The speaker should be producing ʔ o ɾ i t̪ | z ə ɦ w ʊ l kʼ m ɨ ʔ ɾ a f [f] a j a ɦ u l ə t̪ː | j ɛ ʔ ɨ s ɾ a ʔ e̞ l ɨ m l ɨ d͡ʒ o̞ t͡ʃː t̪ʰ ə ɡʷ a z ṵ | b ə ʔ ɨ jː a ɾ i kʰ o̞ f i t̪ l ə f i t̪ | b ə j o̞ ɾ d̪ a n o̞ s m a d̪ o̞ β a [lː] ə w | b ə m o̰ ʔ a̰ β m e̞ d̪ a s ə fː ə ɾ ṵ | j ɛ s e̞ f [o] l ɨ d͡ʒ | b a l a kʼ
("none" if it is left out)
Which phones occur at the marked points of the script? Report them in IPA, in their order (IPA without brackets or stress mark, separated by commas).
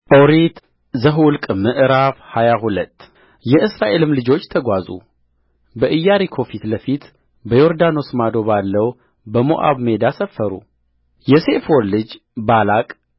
h, lː, o